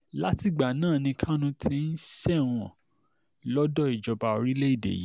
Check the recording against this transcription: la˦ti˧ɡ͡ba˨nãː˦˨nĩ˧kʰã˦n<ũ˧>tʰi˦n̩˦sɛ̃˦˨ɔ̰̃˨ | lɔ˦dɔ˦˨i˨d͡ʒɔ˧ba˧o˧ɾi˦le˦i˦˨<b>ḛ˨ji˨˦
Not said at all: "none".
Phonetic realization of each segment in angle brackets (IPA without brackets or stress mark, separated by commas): ũ˧, d